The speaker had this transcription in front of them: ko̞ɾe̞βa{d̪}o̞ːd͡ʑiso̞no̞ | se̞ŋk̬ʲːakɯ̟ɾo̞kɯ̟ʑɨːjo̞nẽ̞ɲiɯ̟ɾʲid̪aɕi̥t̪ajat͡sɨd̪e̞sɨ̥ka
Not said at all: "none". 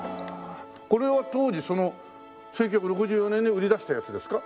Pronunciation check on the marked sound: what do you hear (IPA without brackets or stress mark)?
t̪